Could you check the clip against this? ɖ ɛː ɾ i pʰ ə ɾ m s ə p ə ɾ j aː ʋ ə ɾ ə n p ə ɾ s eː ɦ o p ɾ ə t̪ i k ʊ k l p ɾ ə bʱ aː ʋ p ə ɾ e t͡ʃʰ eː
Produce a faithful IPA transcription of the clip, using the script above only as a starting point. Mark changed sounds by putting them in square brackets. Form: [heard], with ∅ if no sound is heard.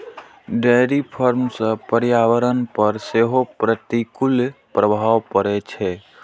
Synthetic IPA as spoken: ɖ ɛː ɾ i pʰ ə ɾ m s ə p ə ɾ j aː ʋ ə ɾ ə n p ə ɾ s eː ɦ o p ɾ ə t̪ i k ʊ [∅] l p ɾ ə bʱ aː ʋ p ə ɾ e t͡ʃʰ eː